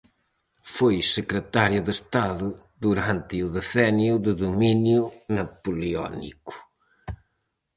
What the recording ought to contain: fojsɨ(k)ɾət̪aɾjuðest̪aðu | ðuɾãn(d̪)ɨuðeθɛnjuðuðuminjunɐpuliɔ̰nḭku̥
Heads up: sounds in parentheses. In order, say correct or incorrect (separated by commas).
correct, incorrect